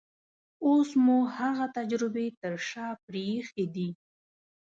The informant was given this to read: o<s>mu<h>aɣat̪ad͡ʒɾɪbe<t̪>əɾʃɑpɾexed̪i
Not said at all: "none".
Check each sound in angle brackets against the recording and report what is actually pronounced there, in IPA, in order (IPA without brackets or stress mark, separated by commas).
s, h, t̪